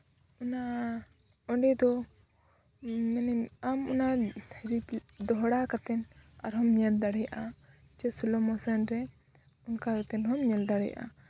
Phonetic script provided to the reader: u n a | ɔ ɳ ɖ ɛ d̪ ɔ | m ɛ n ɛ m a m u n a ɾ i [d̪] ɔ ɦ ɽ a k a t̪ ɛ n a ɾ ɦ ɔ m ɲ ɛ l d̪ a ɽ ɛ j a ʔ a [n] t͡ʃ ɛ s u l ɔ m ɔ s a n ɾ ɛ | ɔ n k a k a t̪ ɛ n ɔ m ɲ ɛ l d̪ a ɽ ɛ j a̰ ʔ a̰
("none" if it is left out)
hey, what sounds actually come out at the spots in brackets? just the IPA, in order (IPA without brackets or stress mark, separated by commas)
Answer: d̪, none